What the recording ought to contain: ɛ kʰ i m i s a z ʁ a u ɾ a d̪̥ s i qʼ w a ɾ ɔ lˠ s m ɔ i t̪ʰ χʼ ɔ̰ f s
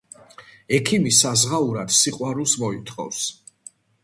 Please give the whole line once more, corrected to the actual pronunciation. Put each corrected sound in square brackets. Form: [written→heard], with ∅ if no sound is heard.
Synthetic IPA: ɛ kʰ i m i s a z ʁ a u ɾ a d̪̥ s i qʼ w a ɾ [ɔ→u] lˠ s m ɔ i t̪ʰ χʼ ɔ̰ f s